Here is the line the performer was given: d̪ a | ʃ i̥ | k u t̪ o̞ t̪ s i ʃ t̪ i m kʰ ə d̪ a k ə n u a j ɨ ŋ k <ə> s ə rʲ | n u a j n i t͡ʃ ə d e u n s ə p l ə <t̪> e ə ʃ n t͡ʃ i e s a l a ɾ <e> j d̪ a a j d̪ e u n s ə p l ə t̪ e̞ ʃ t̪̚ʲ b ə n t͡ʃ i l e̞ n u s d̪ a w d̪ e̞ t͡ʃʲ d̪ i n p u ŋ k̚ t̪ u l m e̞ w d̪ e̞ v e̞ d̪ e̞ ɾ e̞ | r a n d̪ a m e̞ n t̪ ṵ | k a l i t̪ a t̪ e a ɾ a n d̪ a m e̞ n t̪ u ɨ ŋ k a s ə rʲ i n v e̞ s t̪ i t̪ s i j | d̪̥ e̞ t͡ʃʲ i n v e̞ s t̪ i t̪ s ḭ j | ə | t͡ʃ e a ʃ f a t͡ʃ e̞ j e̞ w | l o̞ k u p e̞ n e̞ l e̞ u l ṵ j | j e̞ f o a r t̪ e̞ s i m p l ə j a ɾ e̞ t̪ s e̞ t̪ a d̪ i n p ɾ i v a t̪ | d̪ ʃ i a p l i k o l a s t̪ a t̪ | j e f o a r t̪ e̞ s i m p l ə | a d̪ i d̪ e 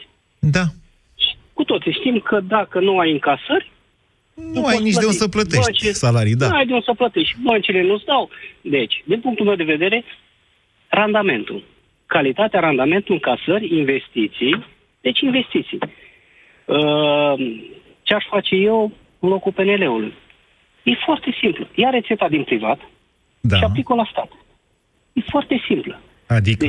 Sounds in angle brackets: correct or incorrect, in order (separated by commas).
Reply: incorrect, correct, incorrect